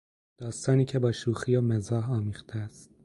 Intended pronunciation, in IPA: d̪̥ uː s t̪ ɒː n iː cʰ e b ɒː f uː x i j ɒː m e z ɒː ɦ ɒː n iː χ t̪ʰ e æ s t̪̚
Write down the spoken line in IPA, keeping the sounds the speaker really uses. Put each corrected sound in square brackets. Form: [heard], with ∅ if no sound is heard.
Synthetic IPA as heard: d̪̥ [ɒː] s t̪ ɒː n iː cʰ e b ɒː [ʃ] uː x i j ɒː m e z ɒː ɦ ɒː [m] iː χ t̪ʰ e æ s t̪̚